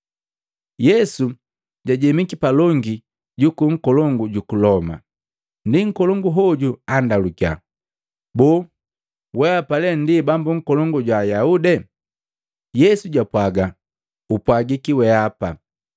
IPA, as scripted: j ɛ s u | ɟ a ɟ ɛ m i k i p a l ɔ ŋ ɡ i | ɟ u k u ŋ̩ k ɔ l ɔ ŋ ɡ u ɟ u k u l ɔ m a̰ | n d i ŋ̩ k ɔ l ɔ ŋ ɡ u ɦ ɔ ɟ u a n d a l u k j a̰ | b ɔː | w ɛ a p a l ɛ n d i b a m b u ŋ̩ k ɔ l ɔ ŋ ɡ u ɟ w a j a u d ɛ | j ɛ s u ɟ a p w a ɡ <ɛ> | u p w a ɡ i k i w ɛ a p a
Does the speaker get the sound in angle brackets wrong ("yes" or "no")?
yes